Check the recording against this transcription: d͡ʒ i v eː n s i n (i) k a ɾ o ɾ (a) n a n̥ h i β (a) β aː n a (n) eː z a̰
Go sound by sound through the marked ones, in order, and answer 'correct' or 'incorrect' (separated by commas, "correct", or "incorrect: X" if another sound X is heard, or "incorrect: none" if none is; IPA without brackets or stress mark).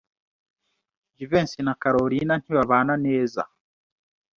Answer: incorrect: a, incorrect: i, correct, correct